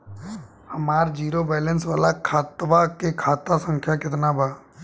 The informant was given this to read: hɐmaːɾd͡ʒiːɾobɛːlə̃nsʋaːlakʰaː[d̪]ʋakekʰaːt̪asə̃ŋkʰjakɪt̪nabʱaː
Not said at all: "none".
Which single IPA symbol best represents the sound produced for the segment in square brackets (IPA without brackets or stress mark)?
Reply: t̪